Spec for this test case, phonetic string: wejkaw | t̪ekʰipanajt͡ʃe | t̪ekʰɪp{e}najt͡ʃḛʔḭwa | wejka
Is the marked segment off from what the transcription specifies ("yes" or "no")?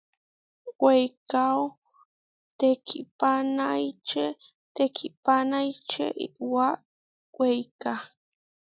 yes